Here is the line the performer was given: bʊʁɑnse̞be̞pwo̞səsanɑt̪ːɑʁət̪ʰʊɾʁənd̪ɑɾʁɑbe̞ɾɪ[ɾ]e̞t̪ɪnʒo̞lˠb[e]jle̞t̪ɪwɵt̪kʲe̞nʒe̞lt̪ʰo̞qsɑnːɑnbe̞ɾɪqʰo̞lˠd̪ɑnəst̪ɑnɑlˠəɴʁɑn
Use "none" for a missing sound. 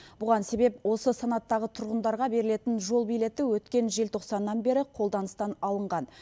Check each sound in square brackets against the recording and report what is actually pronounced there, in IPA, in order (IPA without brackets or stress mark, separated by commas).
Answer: l, i